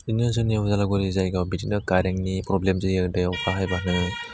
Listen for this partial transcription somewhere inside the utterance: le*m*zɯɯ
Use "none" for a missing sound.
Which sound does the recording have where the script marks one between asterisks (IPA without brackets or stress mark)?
m